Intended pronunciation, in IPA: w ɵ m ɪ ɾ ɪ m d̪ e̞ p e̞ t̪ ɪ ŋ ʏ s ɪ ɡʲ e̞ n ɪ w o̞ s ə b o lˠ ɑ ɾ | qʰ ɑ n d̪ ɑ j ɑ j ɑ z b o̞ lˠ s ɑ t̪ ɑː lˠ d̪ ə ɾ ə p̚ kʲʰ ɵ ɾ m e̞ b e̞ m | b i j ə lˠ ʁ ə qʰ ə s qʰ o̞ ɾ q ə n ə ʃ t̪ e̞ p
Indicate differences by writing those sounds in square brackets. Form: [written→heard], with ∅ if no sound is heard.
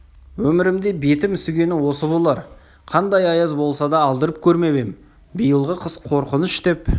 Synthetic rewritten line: w ɵ m ɪ ɾ ɪ m d̪ e̞ [p→b] e̞ t̪ ɪ [ŋ→m] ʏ s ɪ ɡʲ e̞ n ɪ w o̞ s ə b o lˠ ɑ ɾ | qʰ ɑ n d̪ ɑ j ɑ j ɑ z b o̞ lˠ s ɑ [t̪→d̪] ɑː lˠ d̪ ə ɾ ə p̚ kʲʰ ɵ ɾ m e̞ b e̞ m | b i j ə lˠ ʁ ə qʰ ə s qʰ o̞ ɾ q ə n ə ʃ t̪ e̞ p